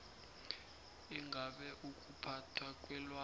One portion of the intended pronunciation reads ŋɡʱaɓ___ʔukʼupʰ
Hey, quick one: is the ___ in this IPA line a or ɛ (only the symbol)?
ɛ